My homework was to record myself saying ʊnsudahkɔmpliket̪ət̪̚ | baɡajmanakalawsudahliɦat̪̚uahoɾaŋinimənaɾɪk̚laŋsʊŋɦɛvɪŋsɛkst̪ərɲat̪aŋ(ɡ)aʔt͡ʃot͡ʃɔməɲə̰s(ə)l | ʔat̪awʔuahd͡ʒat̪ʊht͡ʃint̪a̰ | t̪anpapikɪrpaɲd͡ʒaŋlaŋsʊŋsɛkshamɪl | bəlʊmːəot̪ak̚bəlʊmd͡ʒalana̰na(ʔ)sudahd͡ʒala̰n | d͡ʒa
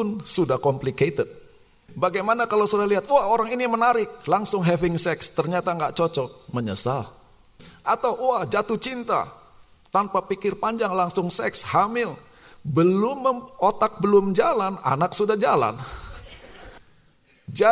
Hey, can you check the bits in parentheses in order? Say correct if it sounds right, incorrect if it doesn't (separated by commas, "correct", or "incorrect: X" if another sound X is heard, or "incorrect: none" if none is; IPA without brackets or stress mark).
correct, incorrect: a, incorrect: k